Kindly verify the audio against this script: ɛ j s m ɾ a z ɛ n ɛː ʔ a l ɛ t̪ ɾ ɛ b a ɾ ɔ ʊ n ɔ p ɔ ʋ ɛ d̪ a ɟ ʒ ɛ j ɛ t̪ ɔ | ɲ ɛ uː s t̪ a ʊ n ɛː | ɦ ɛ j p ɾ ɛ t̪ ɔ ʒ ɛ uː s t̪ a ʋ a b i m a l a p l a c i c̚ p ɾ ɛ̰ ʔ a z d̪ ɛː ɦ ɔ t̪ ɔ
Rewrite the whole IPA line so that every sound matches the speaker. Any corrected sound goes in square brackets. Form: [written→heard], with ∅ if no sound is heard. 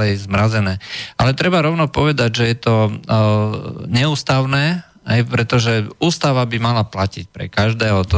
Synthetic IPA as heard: ɛ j [s→z] m ɾ a z ɛ n ɛː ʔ a l ɛ t̪ ɾ ɛ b a ɾ ɔ ʊ n ɔ p ɔ ʋ ɛ d̪ a ɟ ʒ ɛ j ɛ t̪ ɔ | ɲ ɛ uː s t̪ a ʊ n ɛː | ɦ ɛ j p ɾ ɛ t̪ ɔ ʒ ɛ uː s t̪ a ʋ a b i m a l a p l a c i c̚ p ɾ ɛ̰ [ʔ→k] a [z→ʒ] d̪ ɛː ɦ ɔ t̪ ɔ